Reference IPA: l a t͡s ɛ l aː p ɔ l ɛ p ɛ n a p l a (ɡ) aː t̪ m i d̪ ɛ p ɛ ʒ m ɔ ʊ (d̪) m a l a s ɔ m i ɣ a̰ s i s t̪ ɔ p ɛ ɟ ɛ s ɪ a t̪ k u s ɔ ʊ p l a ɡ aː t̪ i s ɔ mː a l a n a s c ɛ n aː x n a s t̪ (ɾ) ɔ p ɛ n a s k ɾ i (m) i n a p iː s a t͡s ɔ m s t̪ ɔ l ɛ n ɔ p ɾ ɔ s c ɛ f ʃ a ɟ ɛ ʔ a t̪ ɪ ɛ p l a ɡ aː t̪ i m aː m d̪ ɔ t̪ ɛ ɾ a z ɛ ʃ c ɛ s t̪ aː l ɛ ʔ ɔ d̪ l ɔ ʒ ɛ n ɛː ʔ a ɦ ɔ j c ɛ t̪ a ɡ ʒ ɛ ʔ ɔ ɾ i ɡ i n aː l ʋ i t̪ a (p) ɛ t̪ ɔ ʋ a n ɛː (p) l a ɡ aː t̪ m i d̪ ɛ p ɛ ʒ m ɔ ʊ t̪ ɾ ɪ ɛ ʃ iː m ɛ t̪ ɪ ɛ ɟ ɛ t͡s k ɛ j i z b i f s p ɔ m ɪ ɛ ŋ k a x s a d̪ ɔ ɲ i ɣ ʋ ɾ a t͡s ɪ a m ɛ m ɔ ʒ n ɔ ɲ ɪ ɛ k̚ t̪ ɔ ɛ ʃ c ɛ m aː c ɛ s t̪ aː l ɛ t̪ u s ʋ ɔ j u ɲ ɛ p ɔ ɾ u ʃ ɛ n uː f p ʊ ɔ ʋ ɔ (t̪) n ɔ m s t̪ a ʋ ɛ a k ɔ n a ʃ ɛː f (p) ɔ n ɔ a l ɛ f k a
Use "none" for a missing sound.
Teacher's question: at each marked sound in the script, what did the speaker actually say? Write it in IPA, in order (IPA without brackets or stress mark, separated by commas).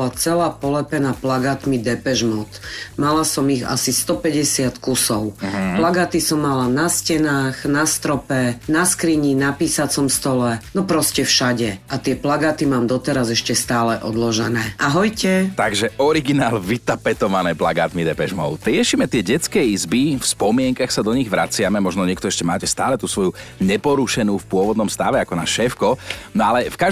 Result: ɡ, t̪, ɾ, ɲ, p, p, d̪, k